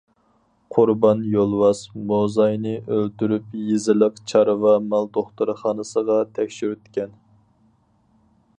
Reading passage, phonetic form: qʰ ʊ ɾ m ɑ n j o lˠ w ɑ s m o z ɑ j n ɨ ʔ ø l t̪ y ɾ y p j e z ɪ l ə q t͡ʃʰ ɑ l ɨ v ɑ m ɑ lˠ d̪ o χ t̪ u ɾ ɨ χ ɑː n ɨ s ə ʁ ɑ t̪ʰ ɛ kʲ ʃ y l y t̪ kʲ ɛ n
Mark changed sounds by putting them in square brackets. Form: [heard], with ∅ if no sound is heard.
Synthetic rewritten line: qʰ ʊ ɾ [b] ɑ n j o lˠ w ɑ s m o z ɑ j n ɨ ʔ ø l t̪ y ɾ y p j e z ɪ l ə q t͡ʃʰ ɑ [ɾ] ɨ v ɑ m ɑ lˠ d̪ o χ t̪ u ɾ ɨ χ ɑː n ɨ s ə ʁ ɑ t̪ʰ ɛ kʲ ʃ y [ɾ] y t̪ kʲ ɛ n